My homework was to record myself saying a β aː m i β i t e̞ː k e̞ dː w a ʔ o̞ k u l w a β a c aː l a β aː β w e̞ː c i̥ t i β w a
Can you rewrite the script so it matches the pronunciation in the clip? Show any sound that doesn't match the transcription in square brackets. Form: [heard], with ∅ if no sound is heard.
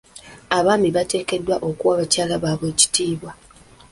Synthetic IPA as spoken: a β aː m i β [a] t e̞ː k e̞ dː w a ʔ o̞ k u [∅] w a β a c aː l a β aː β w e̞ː c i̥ t [iː] β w a